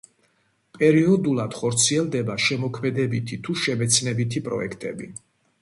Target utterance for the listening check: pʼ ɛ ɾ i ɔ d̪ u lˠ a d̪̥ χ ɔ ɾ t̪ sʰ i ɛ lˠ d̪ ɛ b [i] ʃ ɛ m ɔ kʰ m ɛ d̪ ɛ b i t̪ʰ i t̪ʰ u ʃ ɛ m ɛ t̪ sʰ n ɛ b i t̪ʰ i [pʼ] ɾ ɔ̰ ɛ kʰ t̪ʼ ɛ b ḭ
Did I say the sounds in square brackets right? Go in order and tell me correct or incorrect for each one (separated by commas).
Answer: incorrect, correct